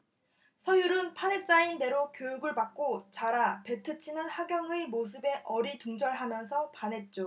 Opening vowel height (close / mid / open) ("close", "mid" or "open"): mid